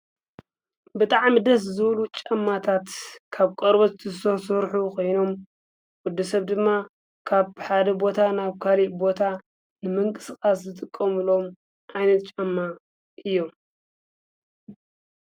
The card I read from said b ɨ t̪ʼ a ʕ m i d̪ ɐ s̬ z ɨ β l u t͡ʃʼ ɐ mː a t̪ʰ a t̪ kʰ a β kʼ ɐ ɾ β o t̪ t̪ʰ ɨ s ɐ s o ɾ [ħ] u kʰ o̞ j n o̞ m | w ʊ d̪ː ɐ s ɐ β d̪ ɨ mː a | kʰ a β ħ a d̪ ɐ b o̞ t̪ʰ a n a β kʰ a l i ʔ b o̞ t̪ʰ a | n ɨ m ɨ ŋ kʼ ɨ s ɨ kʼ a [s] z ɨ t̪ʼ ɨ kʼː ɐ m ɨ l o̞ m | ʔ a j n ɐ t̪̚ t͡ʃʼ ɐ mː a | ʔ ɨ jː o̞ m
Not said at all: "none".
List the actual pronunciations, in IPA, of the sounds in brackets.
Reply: ħ, s

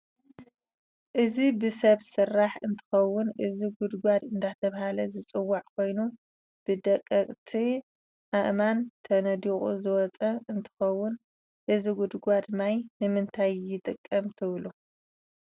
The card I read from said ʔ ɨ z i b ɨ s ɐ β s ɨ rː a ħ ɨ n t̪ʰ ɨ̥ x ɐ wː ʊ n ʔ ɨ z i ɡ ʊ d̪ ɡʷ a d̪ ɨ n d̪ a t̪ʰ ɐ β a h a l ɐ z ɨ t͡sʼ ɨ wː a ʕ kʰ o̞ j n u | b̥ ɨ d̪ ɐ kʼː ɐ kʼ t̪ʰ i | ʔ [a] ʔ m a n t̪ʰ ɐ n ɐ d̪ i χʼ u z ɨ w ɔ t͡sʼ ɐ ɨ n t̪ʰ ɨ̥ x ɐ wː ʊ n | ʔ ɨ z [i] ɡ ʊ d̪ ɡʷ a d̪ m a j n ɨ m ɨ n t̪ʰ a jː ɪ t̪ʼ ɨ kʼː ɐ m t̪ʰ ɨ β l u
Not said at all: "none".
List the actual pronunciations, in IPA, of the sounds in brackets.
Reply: a, i

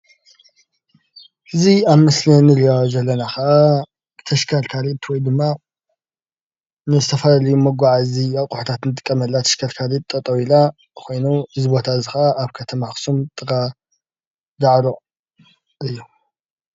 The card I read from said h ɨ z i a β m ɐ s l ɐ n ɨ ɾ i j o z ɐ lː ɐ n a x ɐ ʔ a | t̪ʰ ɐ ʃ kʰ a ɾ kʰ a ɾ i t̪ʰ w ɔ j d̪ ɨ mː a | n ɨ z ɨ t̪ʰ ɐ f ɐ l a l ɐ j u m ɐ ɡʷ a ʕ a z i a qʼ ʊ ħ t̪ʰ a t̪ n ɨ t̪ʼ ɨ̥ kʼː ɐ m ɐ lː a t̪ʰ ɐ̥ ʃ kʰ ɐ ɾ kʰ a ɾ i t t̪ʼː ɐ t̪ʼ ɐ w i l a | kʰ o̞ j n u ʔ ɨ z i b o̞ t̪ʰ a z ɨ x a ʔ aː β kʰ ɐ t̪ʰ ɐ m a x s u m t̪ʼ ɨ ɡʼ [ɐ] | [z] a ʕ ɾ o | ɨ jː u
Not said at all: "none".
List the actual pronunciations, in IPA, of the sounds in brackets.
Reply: a, z

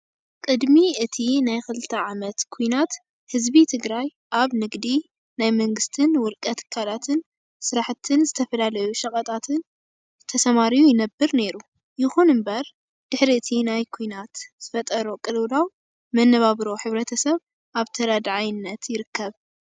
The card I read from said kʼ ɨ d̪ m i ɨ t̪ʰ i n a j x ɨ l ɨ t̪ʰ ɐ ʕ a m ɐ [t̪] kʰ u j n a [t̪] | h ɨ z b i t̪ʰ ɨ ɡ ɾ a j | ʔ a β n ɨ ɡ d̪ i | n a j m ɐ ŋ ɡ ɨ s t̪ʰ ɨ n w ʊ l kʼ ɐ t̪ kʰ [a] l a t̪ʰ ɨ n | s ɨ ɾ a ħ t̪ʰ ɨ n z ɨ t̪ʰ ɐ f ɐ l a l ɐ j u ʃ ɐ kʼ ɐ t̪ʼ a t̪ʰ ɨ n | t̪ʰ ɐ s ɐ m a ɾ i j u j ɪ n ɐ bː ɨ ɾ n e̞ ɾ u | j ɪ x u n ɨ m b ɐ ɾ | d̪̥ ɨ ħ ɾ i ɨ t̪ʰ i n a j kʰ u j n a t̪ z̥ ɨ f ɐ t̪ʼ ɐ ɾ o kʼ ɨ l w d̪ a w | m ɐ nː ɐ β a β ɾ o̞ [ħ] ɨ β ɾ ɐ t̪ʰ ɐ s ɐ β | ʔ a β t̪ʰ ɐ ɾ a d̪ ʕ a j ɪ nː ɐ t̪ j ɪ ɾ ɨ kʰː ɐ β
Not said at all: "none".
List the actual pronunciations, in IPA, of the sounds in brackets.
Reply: t̪, t̪, a, ħ

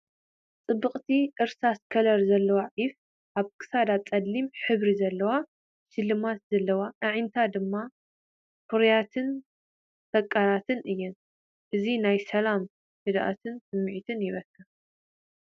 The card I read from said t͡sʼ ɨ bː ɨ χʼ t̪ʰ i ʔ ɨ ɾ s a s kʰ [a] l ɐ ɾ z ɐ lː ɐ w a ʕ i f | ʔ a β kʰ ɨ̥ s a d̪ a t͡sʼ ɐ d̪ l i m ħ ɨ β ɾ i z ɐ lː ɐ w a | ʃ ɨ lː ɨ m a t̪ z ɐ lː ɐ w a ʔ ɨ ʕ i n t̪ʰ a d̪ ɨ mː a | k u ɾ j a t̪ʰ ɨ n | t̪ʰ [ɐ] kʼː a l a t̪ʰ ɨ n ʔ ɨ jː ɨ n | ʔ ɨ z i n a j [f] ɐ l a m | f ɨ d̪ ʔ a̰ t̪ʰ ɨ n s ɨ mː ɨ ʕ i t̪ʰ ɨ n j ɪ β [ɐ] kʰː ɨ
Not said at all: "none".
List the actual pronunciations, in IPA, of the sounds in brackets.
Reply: ɐ, ɐ, s, ɐ

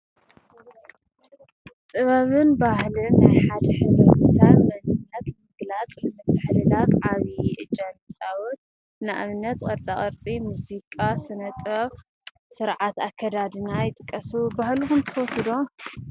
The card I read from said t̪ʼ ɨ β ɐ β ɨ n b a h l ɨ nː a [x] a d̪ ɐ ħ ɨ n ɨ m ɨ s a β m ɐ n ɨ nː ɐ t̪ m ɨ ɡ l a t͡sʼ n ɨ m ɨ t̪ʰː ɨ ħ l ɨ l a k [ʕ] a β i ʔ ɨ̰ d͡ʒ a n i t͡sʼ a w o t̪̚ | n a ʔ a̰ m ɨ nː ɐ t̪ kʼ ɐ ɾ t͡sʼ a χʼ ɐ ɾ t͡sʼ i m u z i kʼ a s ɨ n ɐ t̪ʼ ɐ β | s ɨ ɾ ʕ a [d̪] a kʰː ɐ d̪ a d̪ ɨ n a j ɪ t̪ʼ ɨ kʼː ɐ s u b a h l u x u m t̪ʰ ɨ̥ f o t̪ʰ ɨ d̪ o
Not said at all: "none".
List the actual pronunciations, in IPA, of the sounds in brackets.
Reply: ħ, ʕ, t̪

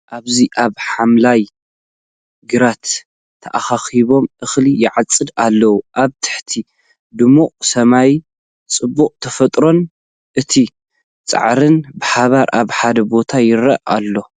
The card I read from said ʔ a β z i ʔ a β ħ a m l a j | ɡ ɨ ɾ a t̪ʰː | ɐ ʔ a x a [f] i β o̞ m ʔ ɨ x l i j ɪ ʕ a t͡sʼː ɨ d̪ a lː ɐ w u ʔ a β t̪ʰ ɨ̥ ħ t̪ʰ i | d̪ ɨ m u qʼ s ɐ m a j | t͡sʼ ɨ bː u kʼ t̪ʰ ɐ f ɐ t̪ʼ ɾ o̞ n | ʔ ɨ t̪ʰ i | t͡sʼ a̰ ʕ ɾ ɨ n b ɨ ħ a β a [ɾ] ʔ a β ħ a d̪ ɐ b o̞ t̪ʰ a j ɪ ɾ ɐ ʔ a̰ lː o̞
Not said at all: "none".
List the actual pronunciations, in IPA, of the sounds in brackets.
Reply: x, ɾ

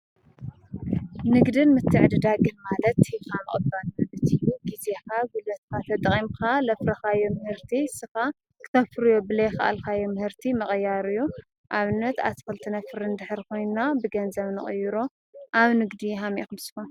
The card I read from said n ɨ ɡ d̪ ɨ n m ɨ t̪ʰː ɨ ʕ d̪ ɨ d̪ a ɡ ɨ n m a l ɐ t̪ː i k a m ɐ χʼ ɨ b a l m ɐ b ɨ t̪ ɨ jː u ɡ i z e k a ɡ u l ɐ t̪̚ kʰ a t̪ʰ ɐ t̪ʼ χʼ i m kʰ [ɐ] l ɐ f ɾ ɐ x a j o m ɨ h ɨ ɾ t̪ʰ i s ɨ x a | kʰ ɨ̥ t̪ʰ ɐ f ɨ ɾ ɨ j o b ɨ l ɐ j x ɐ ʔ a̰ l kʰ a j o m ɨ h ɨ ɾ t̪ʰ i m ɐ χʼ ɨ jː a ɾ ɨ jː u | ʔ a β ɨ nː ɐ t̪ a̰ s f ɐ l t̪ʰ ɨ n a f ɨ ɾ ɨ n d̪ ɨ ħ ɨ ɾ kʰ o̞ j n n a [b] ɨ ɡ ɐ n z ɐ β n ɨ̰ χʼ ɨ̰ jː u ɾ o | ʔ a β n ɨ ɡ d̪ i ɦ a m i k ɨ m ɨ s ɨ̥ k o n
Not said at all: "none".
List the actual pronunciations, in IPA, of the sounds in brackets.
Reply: a, b

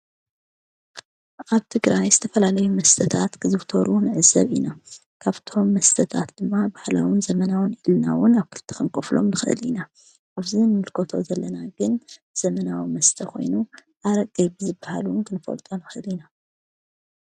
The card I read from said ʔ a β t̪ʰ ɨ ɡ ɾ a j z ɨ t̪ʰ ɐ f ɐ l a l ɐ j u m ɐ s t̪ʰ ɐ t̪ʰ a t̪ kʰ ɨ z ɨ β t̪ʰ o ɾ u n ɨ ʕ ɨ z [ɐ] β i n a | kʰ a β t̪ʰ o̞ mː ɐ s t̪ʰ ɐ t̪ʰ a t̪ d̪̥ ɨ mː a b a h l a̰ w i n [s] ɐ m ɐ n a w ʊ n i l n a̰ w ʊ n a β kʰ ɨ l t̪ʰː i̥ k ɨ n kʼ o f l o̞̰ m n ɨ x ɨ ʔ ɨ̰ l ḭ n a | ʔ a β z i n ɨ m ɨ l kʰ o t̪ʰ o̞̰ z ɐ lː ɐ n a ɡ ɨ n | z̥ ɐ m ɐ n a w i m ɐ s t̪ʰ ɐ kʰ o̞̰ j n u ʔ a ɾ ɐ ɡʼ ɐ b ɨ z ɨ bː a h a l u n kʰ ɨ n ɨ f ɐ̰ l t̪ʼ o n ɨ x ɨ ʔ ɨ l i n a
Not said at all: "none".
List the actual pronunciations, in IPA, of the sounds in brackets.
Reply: ɐ, z

